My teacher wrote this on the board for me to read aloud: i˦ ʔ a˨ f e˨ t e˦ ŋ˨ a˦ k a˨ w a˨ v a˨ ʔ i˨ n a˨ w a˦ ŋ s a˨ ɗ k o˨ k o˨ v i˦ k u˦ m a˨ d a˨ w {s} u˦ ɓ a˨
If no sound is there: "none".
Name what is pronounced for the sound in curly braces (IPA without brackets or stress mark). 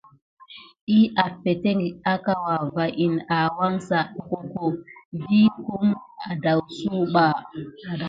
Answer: s